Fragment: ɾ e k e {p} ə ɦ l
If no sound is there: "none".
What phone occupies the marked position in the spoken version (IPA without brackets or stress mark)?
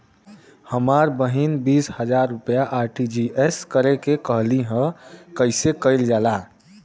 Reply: k